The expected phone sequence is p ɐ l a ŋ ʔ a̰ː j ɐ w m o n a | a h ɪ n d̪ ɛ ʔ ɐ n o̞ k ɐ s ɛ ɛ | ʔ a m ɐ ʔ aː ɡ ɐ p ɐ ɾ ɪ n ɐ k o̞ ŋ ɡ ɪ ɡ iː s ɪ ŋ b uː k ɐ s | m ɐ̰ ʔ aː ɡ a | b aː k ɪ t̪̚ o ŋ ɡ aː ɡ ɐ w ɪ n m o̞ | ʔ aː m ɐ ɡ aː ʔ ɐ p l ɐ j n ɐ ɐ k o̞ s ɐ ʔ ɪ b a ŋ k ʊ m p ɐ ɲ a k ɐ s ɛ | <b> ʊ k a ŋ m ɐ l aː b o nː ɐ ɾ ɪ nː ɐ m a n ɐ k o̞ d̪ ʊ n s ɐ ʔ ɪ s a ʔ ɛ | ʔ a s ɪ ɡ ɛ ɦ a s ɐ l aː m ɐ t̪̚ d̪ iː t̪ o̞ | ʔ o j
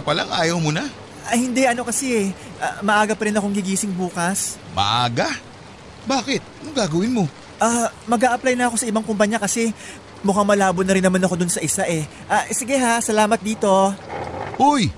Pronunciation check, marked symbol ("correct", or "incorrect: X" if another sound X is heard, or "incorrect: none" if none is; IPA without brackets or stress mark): incorrect: m